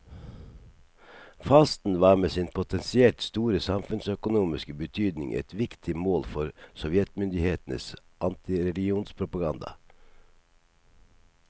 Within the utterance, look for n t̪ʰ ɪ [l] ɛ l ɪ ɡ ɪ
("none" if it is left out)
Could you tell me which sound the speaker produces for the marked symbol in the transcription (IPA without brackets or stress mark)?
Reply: ɾ